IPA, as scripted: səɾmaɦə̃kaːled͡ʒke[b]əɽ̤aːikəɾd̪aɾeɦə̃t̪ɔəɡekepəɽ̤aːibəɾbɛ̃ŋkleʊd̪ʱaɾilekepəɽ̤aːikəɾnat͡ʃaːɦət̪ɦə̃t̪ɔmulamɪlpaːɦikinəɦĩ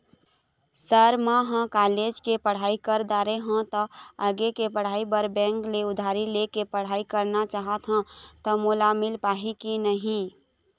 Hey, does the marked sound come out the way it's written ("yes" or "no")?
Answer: no